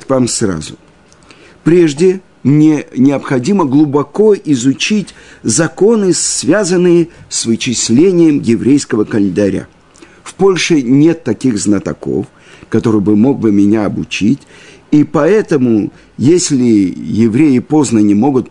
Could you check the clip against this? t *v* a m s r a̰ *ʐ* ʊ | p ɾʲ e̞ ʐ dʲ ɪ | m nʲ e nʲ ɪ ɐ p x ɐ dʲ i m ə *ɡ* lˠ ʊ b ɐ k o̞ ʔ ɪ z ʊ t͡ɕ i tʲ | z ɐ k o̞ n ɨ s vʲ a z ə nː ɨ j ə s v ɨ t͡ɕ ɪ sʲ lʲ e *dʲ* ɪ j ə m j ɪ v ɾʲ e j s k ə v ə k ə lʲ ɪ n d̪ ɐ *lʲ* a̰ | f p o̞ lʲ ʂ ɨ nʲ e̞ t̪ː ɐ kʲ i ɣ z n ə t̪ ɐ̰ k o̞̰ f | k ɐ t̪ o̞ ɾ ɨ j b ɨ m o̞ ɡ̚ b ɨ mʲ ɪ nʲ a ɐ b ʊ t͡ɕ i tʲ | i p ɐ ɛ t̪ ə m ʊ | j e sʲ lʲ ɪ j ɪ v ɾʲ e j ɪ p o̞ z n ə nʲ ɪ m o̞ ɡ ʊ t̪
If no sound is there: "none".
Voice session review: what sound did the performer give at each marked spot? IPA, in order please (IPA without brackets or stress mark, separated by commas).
v, z, ɡ, nʲ, ɾʲ